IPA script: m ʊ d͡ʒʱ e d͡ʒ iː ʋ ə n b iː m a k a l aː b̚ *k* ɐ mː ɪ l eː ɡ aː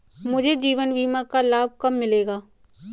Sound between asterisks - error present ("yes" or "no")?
no